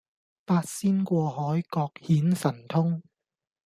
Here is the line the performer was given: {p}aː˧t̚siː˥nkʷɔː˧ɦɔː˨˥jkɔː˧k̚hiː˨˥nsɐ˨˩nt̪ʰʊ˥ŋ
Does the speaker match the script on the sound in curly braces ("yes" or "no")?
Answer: yes